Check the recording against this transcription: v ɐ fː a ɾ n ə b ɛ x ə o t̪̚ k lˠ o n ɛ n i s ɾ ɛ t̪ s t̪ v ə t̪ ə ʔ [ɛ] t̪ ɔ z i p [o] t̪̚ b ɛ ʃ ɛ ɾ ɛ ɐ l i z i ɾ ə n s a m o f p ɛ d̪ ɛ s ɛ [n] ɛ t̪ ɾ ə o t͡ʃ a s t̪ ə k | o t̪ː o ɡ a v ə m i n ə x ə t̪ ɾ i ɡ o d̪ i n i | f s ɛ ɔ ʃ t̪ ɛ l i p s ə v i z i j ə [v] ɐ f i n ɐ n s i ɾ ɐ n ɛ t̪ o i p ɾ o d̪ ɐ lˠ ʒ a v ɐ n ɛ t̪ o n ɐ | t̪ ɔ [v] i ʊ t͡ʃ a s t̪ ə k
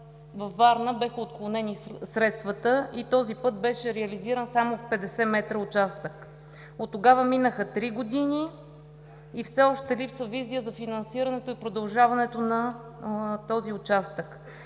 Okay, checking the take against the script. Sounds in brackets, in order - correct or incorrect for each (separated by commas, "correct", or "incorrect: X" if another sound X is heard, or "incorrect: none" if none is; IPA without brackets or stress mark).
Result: incorrect: i, incorrect: ɤ, incorrect: m, incorrect: z, incorrect: z